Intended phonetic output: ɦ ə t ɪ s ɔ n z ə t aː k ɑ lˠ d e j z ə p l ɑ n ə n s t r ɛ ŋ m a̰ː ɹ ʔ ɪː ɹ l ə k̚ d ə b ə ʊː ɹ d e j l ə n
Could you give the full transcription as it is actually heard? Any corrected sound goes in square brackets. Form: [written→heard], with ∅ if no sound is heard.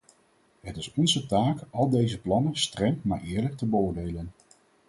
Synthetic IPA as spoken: ɦ ə t ɪ s ɔ n z ə t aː k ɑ lˠ d e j z ə p l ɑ n ə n s t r ɛ ŋ m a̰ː ɹ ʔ ɪː ɹ l ə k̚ [d→t] ə b ə ʊː ɹ d e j l ə n